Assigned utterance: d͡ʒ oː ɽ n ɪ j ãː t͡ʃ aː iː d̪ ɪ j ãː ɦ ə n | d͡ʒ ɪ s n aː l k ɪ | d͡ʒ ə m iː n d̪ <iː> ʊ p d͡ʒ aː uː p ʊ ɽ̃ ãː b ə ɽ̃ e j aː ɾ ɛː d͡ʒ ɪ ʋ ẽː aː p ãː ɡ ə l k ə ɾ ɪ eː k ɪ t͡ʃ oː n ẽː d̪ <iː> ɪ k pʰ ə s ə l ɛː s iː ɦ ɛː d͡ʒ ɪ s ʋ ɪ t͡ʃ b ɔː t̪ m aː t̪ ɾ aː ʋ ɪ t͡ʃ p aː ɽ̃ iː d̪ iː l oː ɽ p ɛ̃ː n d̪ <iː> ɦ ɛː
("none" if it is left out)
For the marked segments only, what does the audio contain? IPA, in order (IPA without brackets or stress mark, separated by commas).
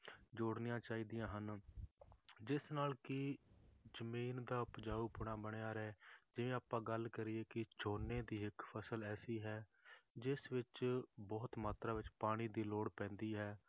aː, iː, iː